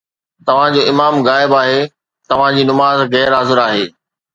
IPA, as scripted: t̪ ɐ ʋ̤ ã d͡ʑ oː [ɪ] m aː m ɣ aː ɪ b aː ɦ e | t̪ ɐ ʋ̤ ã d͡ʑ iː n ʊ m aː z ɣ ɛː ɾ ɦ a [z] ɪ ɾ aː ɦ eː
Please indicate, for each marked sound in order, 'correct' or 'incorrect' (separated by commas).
correct, correct